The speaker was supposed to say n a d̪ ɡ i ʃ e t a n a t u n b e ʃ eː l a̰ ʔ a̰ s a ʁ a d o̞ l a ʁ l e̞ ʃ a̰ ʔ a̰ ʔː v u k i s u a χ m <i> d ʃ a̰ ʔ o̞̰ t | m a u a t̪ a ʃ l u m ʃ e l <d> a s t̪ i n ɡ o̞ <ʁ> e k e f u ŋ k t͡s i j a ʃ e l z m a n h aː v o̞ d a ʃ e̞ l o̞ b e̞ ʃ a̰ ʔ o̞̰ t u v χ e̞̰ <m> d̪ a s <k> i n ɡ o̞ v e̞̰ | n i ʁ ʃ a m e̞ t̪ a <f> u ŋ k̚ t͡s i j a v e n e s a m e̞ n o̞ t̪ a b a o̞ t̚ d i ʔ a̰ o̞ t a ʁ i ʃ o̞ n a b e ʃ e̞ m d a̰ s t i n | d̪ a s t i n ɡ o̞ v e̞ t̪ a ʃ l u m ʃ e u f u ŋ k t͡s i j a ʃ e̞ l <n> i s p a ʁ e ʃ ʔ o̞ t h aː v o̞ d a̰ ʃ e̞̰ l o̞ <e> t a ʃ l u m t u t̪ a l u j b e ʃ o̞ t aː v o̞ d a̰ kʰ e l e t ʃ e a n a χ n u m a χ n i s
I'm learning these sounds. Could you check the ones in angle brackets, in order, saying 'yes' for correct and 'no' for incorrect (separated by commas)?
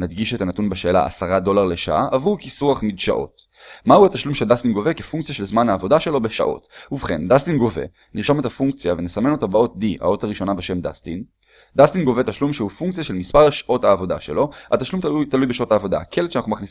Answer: yes, yes, no, no, no, yes, no, no